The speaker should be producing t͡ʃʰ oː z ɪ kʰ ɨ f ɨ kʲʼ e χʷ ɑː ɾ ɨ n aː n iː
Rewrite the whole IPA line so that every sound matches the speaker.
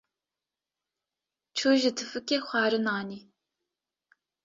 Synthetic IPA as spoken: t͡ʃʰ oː ʒ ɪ tʰ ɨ f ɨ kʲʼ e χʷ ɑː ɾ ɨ n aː n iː